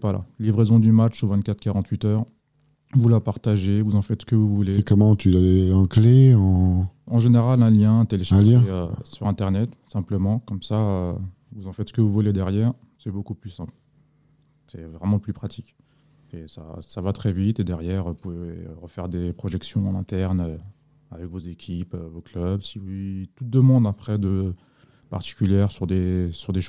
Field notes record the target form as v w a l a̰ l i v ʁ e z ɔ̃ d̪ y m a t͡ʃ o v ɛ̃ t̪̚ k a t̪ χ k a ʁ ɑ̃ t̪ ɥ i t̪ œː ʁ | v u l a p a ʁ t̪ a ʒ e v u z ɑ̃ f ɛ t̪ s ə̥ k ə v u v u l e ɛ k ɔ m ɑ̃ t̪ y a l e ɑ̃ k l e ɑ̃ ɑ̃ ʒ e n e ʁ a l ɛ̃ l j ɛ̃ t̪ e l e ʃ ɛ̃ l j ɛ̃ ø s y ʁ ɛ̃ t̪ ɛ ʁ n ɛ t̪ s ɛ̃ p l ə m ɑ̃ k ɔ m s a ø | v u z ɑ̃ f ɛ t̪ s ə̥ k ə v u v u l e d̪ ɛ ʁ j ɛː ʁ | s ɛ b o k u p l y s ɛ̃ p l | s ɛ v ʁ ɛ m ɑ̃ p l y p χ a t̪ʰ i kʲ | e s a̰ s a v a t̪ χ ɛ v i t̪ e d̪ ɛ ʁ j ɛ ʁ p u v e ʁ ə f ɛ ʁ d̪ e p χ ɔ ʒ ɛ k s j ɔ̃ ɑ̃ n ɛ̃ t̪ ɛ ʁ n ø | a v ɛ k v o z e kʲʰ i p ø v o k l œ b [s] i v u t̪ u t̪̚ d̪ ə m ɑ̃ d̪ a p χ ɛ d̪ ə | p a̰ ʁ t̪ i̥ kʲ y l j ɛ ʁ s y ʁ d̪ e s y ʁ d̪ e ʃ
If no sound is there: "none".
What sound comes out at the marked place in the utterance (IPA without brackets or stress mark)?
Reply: s